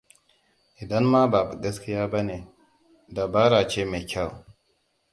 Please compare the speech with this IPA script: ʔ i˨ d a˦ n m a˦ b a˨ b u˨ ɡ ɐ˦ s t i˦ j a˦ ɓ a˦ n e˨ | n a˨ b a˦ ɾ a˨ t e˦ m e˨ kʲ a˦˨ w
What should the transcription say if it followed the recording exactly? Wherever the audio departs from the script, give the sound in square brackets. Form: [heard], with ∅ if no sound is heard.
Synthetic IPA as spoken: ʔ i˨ d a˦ n m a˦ b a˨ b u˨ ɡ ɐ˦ s [k] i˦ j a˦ [b] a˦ n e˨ | [d] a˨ b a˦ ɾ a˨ [t͡ʃ] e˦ m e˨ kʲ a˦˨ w